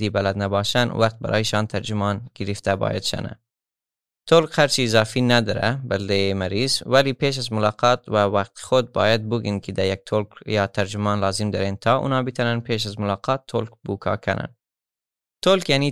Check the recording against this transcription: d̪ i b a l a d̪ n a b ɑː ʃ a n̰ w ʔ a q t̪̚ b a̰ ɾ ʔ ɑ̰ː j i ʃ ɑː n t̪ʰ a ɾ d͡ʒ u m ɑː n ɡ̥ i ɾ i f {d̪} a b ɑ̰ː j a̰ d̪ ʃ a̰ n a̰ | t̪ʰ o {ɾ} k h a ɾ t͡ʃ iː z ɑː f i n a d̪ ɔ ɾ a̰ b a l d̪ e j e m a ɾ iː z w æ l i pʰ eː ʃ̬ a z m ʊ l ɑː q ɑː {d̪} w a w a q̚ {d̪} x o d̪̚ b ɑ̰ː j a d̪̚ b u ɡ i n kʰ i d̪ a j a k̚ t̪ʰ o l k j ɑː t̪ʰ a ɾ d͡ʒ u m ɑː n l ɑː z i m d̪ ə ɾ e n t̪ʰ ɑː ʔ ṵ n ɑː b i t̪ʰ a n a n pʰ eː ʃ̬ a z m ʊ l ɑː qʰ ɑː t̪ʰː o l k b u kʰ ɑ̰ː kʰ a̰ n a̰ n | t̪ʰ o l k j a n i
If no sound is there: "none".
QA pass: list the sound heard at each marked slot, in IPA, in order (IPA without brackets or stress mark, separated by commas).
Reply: t̪, l, t̪, t̪